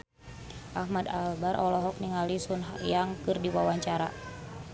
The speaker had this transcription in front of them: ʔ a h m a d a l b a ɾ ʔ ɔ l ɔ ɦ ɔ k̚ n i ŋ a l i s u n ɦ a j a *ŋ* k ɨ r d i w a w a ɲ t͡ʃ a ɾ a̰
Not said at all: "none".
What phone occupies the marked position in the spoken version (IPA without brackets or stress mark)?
ŋ